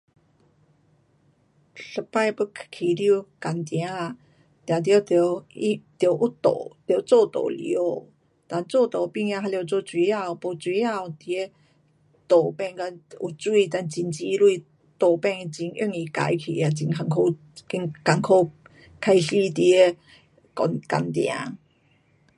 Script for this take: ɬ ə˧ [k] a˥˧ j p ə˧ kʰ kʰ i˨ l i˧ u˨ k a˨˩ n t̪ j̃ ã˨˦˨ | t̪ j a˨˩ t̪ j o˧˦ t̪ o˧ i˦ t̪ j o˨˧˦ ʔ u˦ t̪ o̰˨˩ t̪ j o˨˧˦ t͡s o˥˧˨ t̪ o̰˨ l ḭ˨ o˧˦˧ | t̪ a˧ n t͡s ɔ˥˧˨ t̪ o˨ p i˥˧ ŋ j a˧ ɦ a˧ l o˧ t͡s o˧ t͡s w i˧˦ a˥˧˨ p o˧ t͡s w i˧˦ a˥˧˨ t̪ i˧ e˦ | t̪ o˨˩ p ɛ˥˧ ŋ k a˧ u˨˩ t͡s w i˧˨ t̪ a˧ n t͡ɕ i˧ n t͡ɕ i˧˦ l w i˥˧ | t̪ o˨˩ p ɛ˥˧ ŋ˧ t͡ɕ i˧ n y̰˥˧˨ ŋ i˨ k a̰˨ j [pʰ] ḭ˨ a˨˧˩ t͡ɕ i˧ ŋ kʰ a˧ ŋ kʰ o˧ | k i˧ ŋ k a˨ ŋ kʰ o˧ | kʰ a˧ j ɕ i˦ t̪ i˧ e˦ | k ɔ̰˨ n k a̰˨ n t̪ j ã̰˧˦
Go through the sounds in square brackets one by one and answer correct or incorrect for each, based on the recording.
incorrect, incorrect

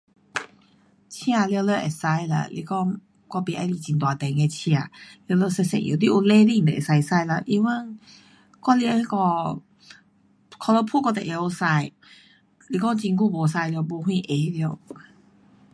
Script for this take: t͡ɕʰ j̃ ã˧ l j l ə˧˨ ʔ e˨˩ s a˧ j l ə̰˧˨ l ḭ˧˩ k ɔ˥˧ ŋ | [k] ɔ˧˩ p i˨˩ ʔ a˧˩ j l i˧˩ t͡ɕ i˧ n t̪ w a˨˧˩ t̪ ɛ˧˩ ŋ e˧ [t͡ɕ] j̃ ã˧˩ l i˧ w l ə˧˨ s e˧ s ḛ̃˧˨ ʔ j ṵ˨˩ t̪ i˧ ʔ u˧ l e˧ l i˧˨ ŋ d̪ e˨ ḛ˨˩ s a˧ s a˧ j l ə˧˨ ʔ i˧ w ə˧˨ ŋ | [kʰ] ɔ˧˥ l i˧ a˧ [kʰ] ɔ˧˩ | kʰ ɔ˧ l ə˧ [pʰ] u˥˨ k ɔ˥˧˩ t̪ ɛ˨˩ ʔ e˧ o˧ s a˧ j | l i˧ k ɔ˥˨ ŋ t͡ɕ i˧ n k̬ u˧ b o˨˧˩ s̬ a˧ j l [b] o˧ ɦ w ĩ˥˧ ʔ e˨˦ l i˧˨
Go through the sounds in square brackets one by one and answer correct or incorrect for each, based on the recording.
correct, incorrect, incorrect, incorrect, correct, correct

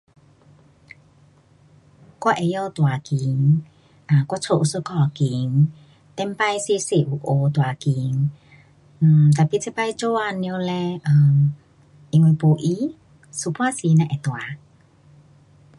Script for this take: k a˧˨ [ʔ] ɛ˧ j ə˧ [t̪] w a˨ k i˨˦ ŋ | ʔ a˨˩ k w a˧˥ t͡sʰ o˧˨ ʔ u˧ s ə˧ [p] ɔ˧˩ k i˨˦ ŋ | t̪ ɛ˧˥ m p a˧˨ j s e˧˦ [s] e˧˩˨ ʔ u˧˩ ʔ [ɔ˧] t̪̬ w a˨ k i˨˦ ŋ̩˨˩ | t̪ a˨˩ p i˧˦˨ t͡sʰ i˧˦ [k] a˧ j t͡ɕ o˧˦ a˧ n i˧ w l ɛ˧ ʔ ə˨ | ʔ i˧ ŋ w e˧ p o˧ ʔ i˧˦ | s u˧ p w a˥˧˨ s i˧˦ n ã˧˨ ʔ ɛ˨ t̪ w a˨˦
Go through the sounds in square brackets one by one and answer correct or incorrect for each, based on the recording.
correct, correct, incorrect, correct, incorrect, incorrect

